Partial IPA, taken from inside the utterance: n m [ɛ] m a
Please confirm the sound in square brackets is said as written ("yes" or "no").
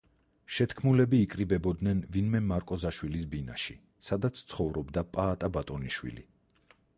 yes